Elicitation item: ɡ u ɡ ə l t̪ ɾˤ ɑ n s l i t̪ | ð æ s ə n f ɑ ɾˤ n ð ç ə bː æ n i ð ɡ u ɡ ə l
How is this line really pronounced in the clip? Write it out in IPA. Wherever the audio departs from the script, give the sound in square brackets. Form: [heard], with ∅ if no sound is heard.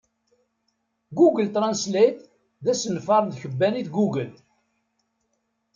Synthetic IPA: ɡ u ɡ ə l t̪ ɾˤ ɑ n s l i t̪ | ð æ s ə n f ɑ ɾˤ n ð ç ə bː æ n i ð ɡ u ɡ ə l